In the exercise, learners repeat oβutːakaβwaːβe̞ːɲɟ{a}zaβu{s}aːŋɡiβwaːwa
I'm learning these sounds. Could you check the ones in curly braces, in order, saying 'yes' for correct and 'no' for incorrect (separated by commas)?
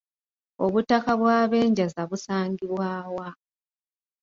yes, yes